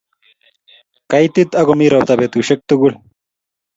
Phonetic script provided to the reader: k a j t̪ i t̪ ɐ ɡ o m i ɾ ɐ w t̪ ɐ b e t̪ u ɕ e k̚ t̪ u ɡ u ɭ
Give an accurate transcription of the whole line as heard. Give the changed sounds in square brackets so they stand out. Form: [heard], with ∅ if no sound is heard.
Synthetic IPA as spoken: k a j t̪ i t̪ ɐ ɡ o m i ɾ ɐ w t̪ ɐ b e t̪ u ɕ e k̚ t̪ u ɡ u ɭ

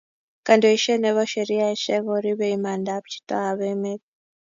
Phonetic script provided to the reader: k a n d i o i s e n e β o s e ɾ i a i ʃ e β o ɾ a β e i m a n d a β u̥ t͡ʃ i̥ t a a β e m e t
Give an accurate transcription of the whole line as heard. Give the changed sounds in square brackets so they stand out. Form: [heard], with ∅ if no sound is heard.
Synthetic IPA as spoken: k a n d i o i [ʃ] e n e β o [ʃ] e ɾ i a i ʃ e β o ɾ [i] β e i m a n d a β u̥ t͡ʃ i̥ t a a β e m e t

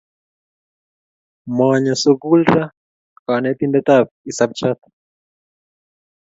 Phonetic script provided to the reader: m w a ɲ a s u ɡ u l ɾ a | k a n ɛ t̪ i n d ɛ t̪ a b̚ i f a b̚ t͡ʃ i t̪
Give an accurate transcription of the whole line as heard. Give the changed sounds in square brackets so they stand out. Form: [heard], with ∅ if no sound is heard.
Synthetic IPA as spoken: m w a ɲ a s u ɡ u l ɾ a | k a n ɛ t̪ i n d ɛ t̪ a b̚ i [s] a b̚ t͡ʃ [a] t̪

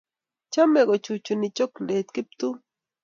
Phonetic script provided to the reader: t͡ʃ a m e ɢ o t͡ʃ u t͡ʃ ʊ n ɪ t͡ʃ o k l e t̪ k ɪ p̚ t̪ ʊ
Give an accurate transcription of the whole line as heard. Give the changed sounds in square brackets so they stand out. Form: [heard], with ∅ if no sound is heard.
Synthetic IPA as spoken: t͡ʃ a m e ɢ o t͡ʃ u t͡ʃ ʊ n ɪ t͡ʃ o k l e t̪ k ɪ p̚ t̪ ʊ

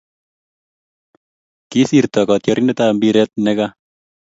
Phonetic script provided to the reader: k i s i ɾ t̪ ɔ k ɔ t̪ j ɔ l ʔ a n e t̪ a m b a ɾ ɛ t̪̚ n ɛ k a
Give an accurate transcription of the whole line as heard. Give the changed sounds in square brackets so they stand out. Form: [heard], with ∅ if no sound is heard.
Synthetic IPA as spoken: k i s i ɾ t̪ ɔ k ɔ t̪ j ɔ [ɾ] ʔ [i] n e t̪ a m b [i] ɾ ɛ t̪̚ n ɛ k a

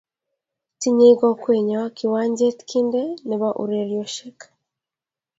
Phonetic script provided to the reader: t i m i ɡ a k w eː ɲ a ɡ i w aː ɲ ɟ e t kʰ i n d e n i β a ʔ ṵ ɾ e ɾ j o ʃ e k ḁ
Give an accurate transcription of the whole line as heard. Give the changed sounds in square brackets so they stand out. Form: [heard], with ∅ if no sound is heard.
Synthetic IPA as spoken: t i [ɲ] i ɡ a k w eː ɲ a [k] i w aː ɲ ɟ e t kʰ i n d e n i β a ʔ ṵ ɾ e ɾ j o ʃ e k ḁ

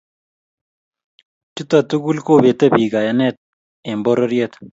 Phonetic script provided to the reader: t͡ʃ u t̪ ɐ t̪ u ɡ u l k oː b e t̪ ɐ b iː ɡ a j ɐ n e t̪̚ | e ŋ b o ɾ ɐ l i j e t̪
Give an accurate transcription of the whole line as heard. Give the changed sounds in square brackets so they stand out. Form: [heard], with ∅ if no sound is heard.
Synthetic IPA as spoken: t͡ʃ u t̪ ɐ t̪ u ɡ u l k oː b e t̪ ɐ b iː ɡ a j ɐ n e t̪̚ | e [m] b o ɾ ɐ [ɾ] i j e t̪

